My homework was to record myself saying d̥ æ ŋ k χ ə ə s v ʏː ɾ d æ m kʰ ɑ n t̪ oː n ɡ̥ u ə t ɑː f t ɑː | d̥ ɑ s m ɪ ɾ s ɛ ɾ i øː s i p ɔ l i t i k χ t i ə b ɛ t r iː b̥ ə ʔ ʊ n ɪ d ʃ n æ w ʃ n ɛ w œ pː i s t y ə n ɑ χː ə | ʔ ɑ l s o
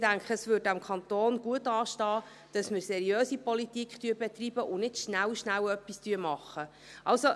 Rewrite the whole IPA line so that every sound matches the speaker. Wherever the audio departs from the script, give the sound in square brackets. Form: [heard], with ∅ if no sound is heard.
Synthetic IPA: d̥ æ ŋ k χ ə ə s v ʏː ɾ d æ m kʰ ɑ n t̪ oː n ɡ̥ u ə t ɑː [ʃ] t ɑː | d̥ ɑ s m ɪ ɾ s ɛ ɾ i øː s i p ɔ l i t i k χ t [y] ə b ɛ t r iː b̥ ə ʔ ʊ n ɪ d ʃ n æ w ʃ n [æ] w œ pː i s t y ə [m] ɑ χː ə | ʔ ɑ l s o